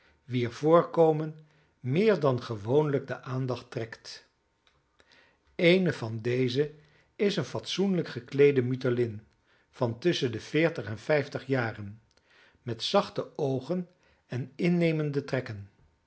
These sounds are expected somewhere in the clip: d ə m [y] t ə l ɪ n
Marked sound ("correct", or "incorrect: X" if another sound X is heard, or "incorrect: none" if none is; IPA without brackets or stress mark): correct